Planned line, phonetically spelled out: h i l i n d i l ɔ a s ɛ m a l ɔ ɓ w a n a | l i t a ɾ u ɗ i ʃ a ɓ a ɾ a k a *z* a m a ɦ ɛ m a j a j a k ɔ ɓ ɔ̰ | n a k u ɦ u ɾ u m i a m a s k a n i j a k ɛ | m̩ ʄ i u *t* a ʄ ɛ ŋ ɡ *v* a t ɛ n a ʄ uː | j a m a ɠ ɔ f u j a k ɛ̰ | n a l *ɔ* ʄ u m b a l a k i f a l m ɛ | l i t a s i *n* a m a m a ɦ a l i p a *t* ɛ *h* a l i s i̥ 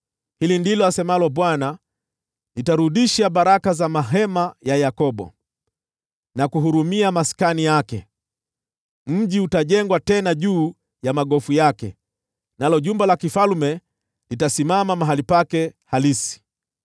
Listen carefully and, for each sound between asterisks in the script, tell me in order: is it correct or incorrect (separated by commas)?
correct, correct, incorrect, correct, incorrect, incorrect, correct